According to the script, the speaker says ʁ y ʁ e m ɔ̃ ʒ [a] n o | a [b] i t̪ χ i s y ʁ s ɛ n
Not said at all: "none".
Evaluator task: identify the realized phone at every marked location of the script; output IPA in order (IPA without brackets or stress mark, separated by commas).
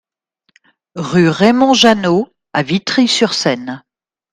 a, v